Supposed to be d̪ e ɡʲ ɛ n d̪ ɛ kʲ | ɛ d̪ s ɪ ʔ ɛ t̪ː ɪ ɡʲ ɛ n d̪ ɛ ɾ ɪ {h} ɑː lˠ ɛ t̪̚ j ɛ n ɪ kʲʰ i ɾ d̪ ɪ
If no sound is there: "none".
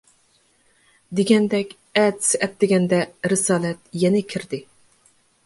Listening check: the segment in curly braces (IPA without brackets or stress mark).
s